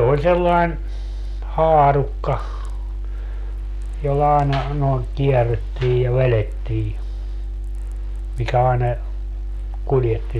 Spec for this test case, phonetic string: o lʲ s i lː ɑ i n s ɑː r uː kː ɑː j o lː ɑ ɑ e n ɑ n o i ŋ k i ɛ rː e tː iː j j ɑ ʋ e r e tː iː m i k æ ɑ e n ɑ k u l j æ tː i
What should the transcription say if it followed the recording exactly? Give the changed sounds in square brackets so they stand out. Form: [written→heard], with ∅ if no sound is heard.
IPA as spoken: o lʲ s [i→e] lː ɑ i n [s→h] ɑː r [uː→u] kː [ɑː→ɑ] j o lː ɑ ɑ e n ɑ n o i ŋ k i ɛ rː e tː iː j j ɑ ʋ e [r→l] e tː iː m i k æ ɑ e n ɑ k u l j [æ→e] tː i